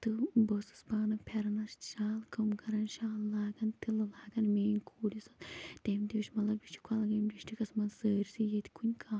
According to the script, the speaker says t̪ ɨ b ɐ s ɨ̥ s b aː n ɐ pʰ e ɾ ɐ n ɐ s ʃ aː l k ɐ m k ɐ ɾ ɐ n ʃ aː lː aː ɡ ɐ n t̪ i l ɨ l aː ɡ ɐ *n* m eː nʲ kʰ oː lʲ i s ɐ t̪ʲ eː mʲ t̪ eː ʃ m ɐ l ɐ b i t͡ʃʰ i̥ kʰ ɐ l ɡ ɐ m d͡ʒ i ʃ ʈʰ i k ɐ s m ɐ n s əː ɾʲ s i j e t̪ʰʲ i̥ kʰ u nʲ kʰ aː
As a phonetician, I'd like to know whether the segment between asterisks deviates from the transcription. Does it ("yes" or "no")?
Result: no